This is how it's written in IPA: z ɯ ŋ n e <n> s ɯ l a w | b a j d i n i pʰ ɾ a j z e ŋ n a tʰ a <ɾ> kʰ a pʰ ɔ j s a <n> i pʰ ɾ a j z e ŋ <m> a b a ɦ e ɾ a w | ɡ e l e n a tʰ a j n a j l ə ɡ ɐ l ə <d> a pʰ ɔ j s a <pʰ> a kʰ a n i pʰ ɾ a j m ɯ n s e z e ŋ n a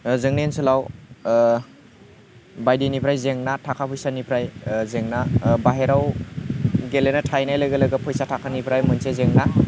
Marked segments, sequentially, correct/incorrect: correct, incorrect, correct, incorrect, incorrect, incorrect

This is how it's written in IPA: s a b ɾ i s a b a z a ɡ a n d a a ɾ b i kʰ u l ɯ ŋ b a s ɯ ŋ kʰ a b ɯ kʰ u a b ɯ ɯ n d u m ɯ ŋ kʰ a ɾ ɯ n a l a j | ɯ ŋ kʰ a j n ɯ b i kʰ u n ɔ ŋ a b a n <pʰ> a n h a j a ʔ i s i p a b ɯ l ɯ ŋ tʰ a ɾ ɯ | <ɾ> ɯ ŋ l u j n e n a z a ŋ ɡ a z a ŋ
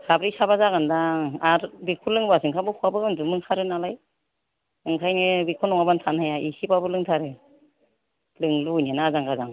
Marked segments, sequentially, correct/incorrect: incorrect, incorrect

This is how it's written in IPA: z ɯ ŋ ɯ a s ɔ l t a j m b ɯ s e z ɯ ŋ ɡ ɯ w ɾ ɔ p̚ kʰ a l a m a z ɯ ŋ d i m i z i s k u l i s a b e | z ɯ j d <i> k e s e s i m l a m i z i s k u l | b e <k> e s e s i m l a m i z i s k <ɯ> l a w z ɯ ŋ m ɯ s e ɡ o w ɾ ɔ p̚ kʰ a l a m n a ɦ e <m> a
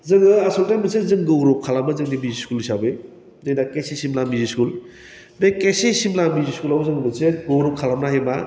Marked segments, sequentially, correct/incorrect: incorrect, correct, incorrect, correct

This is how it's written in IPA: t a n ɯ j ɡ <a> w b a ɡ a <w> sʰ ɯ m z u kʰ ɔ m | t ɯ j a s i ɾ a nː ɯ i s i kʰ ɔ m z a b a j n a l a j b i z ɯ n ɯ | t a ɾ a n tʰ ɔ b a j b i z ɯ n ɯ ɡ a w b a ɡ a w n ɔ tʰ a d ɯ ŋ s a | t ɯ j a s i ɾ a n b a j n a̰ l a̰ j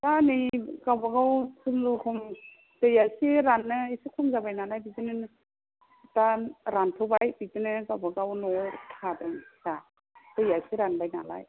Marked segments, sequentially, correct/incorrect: correct, correct

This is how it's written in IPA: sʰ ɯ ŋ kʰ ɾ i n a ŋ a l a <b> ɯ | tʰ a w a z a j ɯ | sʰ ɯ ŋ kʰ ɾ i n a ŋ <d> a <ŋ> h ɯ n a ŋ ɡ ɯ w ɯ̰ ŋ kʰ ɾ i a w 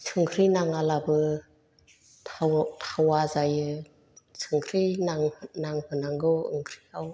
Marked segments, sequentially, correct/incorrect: correct, incorrect, correct

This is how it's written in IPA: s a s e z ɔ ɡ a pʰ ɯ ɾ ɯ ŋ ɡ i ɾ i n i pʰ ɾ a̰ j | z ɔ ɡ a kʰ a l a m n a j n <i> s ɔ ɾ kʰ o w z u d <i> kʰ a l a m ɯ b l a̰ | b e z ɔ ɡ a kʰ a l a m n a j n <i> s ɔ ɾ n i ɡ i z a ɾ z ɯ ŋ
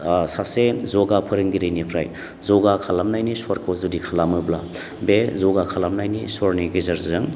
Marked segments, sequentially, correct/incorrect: correct, correct, correct

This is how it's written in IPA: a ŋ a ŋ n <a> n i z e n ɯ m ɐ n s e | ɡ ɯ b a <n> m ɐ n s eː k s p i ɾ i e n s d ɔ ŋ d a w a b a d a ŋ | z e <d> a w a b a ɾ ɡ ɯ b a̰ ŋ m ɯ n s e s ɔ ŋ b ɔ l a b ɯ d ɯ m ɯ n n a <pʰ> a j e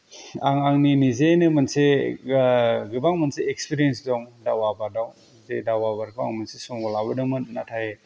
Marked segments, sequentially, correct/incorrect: incorrect, incorrect, correct, incorrect

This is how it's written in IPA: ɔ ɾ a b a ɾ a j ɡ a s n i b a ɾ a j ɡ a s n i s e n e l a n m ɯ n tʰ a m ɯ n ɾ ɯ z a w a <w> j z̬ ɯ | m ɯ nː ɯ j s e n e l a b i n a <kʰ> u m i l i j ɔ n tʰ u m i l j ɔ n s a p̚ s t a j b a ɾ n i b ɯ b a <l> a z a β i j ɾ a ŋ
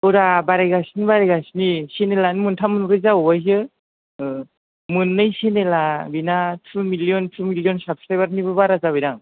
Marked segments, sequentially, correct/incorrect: incorrect, incorrect, incorrect

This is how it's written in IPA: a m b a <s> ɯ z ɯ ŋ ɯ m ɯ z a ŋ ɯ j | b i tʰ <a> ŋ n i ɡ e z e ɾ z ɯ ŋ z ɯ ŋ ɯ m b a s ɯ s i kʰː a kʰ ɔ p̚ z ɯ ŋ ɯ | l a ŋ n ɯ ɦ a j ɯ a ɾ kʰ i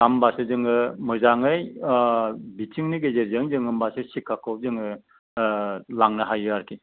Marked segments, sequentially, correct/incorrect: correct, incorrect

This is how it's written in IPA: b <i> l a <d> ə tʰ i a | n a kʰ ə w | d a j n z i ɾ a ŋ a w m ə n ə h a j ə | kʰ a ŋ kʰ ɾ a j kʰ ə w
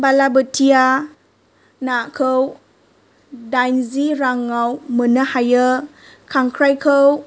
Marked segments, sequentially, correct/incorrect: incorrect, incorrect

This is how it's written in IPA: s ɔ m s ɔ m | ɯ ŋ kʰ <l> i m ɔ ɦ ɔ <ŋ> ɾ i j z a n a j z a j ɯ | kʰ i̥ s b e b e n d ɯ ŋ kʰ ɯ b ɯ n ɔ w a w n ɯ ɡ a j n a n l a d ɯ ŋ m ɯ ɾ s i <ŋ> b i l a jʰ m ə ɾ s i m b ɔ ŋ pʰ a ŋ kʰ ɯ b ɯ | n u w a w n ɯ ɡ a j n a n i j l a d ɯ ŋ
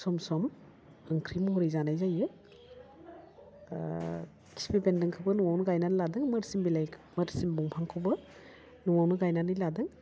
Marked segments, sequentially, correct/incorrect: incorrect, incorrect, incorrect

